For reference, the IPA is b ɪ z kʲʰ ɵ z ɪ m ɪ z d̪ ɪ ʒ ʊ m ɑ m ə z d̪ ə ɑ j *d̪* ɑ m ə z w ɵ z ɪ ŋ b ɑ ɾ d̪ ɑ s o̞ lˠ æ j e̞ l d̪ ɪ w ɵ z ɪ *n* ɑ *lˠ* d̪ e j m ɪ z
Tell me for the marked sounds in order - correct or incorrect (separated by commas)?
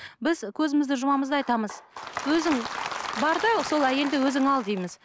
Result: incorrect, incorrect, correct